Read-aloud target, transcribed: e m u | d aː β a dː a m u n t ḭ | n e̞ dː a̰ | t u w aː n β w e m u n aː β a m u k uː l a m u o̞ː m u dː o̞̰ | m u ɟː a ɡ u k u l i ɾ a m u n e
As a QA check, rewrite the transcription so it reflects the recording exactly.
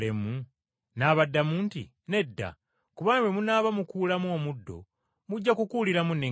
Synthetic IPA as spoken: e m u | n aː β a dː a m u n t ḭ | n e̞ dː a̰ | k u β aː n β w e m u n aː β a m u k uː l a m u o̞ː m u dː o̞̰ | m u ɟː a k u k u l i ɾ a m u n e